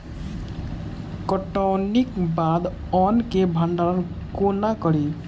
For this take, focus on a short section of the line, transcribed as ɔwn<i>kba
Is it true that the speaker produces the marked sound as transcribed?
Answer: yes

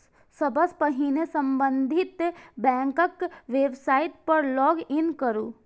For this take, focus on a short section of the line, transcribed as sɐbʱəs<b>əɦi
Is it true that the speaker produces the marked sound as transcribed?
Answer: no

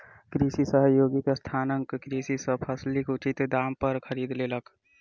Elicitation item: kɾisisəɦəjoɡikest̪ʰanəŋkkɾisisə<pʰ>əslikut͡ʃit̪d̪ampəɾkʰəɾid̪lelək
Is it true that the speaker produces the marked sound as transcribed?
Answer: yes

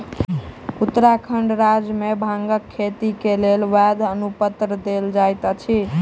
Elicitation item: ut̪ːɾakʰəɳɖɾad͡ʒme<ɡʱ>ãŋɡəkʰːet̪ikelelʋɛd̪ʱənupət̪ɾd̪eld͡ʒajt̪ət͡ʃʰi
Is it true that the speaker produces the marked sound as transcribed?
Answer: no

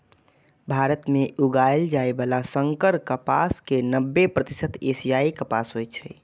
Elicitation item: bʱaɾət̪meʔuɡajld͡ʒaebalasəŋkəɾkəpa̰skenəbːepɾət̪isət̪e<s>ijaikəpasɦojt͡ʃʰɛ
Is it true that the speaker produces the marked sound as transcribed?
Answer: yes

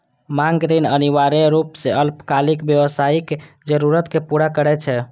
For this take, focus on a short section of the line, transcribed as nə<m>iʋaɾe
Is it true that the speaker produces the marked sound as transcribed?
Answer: no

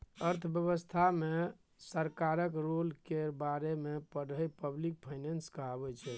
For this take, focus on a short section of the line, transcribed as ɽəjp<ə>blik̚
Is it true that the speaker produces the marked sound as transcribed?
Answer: yes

